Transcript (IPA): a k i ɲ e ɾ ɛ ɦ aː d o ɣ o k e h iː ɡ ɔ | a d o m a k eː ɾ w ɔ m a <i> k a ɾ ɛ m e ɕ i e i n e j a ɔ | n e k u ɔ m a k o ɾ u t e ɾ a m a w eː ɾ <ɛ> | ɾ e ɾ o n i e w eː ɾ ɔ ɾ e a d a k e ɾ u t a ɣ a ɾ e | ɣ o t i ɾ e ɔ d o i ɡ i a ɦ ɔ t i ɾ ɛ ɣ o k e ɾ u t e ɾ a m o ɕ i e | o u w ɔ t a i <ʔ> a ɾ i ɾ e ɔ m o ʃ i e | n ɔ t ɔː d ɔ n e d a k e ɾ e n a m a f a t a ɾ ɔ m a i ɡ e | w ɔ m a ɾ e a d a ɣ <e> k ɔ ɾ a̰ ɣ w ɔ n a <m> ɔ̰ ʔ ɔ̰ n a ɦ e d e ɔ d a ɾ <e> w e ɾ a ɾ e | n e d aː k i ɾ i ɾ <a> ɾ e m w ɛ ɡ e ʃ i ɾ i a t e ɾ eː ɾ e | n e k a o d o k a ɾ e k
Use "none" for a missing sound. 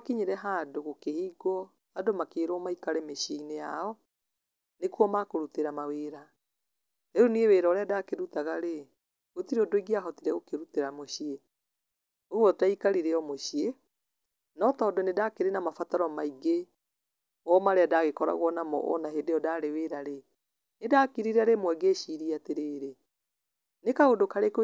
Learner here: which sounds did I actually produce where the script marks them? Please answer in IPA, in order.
i, a, k, e, m, e, a

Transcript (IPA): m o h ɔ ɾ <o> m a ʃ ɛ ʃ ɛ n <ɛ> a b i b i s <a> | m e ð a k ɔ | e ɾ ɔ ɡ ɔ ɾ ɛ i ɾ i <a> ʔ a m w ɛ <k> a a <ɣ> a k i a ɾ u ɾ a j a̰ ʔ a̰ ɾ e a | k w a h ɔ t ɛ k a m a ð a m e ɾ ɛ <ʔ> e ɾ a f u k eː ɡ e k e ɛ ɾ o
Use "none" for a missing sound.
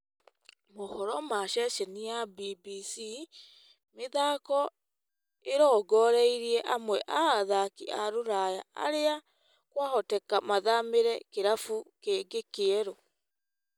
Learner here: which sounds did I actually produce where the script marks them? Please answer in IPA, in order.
ɔ, i, i, ɛ, ʔ, ð, k

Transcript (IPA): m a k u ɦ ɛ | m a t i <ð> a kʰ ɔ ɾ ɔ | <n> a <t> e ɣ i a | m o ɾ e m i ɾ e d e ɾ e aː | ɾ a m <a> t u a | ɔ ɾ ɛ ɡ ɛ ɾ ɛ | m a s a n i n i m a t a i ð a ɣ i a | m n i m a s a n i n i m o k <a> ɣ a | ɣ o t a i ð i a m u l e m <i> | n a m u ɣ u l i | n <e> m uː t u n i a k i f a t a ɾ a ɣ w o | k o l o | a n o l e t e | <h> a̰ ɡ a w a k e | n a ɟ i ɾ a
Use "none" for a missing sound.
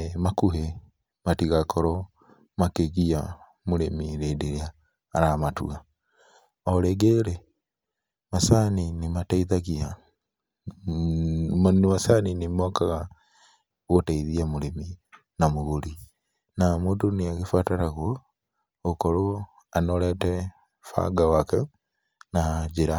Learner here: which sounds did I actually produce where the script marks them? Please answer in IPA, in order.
ɣ, m, k, a, a, i, a, f

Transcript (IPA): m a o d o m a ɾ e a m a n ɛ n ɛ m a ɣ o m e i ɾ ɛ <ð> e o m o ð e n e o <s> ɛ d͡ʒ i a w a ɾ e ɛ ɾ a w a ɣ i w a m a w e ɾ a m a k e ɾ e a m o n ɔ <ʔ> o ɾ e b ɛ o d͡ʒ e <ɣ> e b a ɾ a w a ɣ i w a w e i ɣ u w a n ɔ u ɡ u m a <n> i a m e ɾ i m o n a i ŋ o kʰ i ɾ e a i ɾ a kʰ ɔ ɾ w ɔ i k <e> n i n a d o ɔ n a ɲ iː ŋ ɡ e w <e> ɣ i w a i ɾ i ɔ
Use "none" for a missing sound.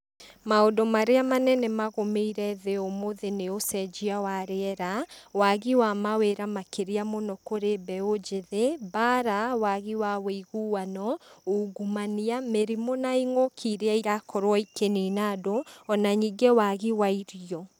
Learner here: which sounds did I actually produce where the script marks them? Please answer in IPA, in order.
ð, s, k, ð, n, e, a

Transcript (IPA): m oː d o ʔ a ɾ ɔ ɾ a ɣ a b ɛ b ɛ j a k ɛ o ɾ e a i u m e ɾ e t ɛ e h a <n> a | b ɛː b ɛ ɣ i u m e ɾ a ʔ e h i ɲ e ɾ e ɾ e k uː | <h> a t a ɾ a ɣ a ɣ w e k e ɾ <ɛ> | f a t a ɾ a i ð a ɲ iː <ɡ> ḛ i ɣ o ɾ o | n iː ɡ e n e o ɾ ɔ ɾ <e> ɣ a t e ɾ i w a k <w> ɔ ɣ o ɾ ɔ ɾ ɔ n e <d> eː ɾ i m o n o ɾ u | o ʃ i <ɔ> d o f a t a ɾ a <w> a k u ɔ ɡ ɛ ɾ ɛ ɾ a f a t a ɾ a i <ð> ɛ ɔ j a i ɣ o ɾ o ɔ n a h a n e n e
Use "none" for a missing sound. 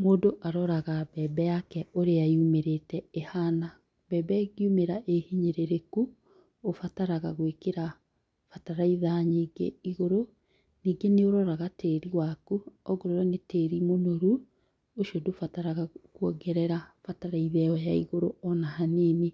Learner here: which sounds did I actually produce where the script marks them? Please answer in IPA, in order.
n, f, a, ɡ, a, u, t, o, ɣ, ð

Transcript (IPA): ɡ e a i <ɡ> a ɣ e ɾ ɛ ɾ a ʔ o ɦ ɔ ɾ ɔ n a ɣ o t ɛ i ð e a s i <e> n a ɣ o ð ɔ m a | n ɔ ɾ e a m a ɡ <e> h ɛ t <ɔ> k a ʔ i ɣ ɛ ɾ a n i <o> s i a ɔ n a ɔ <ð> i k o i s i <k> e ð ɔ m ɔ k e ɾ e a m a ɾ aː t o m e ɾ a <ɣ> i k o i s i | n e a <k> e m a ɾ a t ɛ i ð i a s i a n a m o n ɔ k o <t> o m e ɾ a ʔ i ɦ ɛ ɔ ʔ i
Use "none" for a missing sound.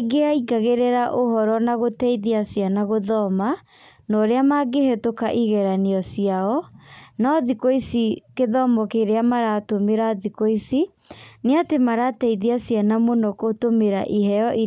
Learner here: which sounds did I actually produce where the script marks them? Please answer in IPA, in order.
ɡ, a, e, o, ɔ, ð, k, ð, t, t

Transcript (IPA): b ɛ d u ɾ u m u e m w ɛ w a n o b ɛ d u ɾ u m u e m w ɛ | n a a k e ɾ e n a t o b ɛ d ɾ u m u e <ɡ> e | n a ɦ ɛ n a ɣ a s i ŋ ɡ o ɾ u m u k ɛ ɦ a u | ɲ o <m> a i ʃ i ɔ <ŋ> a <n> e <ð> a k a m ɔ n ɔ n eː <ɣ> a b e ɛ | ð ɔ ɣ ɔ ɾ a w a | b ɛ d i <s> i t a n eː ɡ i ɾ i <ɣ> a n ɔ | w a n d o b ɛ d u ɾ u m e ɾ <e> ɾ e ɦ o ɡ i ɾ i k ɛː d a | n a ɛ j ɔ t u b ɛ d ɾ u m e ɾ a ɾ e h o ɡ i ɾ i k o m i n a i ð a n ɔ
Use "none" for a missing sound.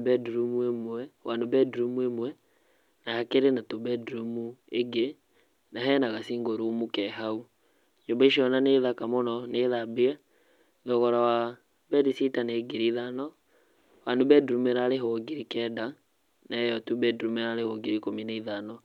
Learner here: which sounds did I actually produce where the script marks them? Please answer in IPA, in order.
ɡ, b, n, n, ð, ð, s, ð, a

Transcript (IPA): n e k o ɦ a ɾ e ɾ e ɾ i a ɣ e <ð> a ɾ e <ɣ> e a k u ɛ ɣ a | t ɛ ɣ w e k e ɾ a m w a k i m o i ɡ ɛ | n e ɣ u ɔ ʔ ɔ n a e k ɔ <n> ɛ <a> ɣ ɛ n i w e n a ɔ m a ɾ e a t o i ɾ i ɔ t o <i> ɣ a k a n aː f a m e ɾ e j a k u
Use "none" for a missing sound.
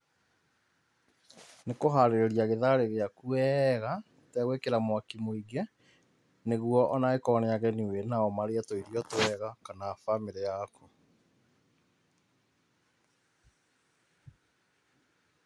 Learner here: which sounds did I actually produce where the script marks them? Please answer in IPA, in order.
ð, ɣ, n, a, ɛ

